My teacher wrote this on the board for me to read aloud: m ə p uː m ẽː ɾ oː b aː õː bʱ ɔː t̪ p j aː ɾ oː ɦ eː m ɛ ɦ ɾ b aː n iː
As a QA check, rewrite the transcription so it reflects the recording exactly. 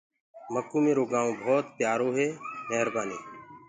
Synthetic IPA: m ə k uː m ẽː ɾ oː ɡ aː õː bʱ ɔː t̪ p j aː ɾ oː ɦ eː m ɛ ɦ ɾ b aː n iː